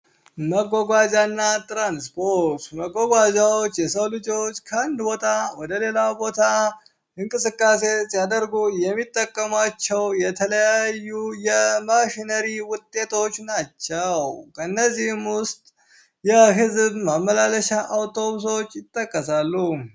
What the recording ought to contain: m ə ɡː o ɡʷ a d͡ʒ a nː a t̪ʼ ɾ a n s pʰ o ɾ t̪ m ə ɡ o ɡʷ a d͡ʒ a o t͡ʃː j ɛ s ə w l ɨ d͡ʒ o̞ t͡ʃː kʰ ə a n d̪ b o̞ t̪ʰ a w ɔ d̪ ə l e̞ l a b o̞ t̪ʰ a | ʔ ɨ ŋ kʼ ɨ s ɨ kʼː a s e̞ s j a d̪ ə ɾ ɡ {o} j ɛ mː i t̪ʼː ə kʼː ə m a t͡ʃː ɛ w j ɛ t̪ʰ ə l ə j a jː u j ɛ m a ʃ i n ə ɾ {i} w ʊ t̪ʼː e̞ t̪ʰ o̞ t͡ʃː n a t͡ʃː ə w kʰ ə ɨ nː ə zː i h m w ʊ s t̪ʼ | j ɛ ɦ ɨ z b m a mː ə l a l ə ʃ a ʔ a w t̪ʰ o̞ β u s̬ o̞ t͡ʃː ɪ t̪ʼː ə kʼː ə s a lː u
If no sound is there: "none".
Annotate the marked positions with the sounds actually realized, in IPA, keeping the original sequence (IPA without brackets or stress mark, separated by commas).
u, i